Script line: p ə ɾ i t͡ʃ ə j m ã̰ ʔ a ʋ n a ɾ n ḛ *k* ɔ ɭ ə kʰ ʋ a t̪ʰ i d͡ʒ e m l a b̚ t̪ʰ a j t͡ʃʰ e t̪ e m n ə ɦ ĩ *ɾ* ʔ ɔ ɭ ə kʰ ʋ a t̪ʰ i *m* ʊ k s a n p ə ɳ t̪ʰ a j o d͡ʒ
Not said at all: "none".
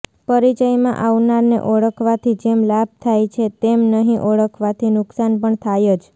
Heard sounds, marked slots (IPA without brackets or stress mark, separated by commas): ʔ, none, n